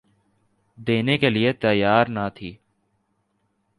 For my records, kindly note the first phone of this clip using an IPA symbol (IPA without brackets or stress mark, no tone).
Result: d̪